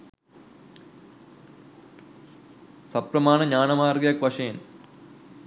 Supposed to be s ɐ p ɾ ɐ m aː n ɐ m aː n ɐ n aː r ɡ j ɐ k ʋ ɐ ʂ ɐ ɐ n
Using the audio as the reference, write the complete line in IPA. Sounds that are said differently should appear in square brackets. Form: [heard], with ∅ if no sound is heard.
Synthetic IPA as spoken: s ɐ p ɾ ɐ m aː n ɐ [ɲ] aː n ɐ [m] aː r ɡ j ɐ k ʋ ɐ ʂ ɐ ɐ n